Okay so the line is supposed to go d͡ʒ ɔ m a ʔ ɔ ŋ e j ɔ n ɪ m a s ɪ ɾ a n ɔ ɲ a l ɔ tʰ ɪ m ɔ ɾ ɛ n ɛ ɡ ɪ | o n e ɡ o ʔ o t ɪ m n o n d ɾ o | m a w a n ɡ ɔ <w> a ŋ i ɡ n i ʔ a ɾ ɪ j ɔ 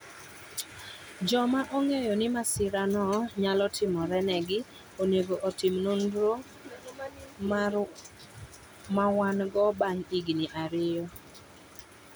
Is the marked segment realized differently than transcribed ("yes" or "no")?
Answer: yes